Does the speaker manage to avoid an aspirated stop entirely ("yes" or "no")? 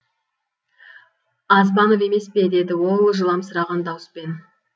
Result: yes